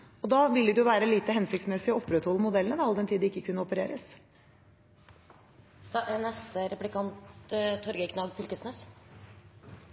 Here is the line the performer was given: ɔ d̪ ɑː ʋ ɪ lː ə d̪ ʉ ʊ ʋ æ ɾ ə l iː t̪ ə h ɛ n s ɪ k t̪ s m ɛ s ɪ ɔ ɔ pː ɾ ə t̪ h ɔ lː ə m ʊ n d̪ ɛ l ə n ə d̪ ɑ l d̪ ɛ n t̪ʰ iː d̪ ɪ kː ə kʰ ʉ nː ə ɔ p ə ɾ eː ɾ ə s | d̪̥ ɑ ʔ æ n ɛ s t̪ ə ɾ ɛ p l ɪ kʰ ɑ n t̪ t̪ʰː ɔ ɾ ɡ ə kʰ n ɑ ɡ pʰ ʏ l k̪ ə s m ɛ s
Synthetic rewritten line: ɔ d̪ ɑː ʋ ɪ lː ə d̪ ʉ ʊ ʋ æː ɾ ə l iː t̪ ə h ɛ n s ɪ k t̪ s m ɛ s ɪ ɔ ɔ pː ɾ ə t̪ h ɔ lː ə m ʊ d̪ ɛ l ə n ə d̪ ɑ l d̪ ɛ n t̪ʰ iː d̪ ɪ kː ə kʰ ʉ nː ə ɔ p ə ɾ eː ɾ ə s | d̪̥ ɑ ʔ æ n ɛ s t̪ ə ɾ ɛ p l ɪ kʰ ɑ n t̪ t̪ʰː ɔ ɾ ɡ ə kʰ n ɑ ɡ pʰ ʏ l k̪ ə s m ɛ s